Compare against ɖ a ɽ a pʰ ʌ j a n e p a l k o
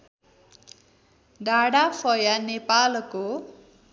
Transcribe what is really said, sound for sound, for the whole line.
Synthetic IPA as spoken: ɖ a ɽ a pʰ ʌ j a n e p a l k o